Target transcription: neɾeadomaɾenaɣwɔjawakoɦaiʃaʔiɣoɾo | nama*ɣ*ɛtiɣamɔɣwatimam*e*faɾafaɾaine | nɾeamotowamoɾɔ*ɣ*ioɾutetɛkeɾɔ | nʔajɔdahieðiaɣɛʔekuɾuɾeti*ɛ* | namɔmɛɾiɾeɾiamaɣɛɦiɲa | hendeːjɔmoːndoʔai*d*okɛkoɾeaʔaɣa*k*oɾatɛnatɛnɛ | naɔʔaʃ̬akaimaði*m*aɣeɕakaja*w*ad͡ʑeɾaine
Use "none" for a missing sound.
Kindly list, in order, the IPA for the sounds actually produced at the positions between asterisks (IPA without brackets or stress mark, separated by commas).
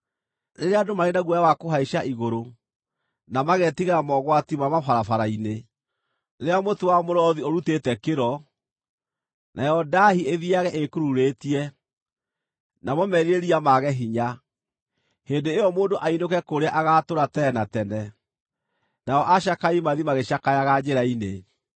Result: ɣ, a, ð, ɛ, n, t, m, ɣ